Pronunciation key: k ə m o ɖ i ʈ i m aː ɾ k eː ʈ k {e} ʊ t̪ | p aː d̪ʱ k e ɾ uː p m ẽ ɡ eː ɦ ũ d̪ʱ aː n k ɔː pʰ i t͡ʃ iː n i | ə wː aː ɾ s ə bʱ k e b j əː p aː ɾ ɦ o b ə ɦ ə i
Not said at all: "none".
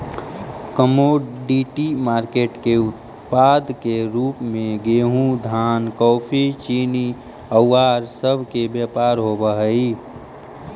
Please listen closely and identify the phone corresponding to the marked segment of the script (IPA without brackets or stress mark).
e